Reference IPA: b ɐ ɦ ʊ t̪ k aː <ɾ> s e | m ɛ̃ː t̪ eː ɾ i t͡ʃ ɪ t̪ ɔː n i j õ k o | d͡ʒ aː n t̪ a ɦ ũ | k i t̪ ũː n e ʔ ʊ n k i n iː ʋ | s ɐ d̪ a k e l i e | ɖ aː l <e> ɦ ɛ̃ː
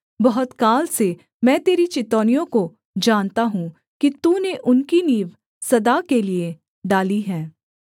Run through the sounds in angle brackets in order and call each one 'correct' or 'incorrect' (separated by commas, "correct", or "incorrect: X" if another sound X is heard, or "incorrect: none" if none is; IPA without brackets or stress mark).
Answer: incorrect: l, incorrect: i